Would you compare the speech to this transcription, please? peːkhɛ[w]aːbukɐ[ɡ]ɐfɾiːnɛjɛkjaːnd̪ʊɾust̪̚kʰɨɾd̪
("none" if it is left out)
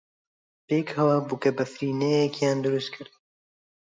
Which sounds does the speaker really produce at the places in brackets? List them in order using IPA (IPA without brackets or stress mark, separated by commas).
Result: w, b